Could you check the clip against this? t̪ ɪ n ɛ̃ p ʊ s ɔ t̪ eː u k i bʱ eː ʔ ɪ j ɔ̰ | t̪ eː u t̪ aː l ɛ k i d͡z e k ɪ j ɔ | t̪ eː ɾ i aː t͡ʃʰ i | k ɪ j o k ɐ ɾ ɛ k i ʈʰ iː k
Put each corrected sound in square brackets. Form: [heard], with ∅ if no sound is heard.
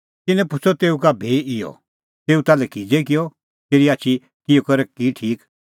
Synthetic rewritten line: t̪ ɪ n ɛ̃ p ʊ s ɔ t̪ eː u k [a] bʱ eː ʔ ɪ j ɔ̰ | t̪ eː u t̪ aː l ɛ k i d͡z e k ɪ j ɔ | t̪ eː ɾ i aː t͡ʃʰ i | k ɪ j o k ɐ ɾ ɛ k i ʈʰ iː k

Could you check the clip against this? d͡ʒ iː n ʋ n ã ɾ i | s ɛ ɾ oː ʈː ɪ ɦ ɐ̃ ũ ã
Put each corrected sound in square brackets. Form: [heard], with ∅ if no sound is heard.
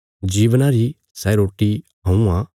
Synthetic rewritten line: d͡ʒ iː [∅] ʋ n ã ɾ i | s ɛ ɾ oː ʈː [i] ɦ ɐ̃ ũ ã

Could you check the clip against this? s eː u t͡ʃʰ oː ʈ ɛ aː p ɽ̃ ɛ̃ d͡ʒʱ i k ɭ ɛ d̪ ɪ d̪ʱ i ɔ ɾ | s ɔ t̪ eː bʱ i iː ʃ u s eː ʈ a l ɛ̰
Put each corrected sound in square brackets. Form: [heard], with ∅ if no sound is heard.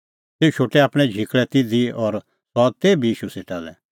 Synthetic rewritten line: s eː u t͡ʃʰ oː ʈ ɛ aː p ɽ̃ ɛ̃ d͡ʒʱ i k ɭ ɛ [t̪] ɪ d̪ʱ i ɔ ɾ | s ɔ t̪ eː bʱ i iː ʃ u s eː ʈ a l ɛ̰

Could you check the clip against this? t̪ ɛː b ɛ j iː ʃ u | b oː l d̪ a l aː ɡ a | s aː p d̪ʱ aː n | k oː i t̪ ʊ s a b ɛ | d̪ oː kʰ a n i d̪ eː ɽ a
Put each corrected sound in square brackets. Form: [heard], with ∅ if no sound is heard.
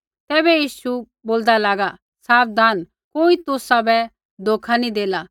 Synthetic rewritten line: t̪ ɛː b ɛ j iː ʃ u | b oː l d̪ a l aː ɡ a | s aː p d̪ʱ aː n | k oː i t̪ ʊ s a b ɛ | d̪ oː kʰ a n i d̪ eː [l] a

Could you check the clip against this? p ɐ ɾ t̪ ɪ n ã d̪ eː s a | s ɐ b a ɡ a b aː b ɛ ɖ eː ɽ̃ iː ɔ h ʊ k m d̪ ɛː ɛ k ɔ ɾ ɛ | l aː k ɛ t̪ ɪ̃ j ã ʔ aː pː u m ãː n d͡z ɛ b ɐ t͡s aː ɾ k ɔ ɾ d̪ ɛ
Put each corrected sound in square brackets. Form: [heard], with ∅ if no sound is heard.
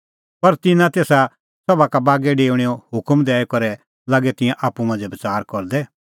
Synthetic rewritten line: p ɐ ɾ t̪ ɪ n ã [t̪] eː s a | s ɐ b a [k] a b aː [ɡ] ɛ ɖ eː ɽ̃ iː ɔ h ʊ k m d̪ ɛː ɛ k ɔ ɾ ɛ | l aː [ɡ] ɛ t̪ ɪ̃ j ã ʔ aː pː u m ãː n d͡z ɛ b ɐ t͡s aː ɾ k ɔ ɾ d̪ ɛ

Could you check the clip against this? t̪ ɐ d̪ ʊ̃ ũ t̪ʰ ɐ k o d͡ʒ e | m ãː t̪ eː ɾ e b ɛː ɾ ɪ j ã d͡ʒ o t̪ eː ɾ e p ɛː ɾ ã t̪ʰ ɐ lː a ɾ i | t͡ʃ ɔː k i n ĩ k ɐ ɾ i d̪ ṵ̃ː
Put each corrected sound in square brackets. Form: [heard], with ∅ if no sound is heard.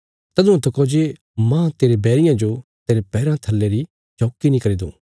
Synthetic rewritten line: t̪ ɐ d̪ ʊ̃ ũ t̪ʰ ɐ k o d͡ʒ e | m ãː t̪ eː ɾ e b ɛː ɾ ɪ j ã d͡ʒ o t̪ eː ɾ e p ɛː ɾ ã t̪ʰ ɐ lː [e] ɾ i | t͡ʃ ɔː k i n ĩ k ɐ ɾ i d̪ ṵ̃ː

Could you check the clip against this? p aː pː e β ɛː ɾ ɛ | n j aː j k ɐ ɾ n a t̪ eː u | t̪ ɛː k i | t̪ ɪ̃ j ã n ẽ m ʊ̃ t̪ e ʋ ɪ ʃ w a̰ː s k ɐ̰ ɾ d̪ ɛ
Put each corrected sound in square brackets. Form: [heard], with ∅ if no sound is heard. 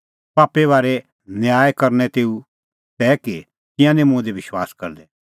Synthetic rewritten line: p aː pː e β [aː] ɾ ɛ | n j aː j k ɐ ɾ n [ɛ] t̪ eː u | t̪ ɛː k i | t̪ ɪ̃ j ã n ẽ m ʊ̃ [d̪] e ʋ ɪ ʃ w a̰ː s k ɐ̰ ɾ d̪ ɛ

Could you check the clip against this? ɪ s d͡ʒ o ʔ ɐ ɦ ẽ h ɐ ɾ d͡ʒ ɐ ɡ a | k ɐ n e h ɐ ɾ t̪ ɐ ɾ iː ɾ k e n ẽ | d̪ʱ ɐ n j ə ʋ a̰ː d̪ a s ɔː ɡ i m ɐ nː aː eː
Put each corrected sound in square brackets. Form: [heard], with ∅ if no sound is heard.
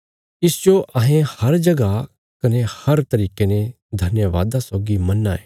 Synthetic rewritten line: ɪ s d͡ʒ o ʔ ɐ ɦ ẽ h ɐ ɾ d͡ʒ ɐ ɡ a | k ɐ n e h ɐ ɾ t̪ ɐ ɾ iː [∅] k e n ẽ | d̪ʱ ɐ n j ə ʋ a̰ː d̪ a s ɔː ɡ i m ɐ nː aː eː

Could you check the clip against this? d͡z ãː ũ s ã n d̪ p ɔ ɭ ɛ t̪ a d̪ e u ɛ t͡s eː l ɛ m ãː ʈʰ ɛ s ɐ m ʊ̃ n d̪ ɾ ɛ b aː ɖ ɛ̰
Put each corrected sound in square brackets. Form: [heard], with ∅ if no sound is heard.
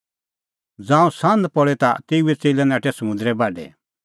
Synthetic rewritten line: d͡z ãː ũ s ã n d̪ p ɔ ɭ ɛ t̪ a [t̪] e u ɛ t͡s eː l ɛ [n] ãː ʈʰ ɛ s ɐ m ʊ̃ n d̪ ɾ ɛ b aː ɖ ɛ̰

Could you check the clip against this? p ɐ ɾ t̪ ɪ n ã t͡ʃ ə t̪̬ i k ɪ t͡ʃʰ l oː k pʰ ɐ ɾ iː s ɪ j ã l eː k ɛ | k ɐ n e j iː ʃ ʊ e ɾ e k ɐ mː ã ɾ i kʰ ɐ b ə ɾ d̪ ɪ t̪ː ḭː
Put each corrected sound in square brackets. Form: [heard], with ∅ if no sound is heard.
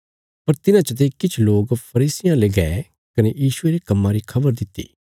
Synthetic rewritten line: p ɐ ɾ t̪ ɪ n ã t͡ʃ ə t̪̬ [e] k ɪ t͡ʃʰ l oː [ɡ] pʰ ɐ ɾ iː s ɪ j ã l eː [ɡ] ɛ | k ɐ n e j iː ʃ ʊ e ɾ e k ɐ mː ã ɾ i kʰ ɐ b ə ɾ d̪ ɪ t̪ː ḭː

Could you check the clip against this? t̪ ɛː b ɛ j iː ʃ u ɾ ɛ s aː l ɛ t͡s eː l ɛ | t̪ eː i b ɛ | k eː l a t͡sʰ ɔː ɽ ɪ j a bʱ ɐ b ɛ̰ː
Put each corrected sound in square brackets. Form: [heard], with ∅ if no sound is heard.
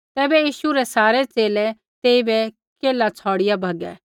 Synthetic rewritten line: t̪ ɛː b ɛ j iː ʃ u ɾ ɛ s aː [ɾ] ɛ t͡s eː l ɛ | t̪ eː i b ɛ | k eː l a t͡sʰ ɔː ɽ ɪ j a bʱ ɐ [ɡ] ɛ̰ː

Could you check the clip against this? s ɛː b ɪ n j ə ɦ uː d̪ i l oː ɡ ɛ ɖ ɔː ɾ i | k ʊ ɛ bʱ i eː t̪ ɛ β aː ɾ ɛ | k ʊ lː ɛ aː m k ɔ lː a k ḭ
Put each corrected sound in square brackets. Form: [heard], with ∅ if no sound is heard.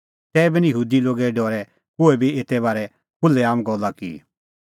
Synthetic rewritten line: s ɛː b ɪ n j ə ɦ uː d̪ i l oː ɡ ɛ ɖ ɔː ɾ [ɛ] | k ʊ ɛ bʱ i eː t̪ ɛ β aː ɾ ɛ | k ʊ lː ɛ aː m [ɡ] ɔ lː a k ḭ

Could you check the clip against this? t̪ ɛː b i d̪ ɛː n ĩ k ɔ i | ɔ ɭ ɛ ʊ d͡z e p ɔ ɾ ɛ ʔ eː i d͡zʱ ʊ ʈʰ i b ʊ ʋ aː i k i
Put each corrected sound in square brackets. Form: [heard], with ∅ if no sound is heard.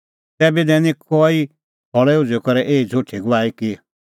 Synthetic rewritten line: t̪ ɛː b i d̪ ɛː n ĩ k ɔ i | ɔ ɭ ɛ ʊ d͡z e [k] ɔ ɾ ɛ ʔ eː i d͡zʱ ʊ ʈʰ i [ɡ] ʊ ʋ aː i k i

